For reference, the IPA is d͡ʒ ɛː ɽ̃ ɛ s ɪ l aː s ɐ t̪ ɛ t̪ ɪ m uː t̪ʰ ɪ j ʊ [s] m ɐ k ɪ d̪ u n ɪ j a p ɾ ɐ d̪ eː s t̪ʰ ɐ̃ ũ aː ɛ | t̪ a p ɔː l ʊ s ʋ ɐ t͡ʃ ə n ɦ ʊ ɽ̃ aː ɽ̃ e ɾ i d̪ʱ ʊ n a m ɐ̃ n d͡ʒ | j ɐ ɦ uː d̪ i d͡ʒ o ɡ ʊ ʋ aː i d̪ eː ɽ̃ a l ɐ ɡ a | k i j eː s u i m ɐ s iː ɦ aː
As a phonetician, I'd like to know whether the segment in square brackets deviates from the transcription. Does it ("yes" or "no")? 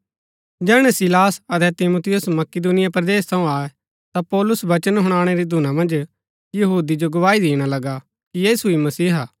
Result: no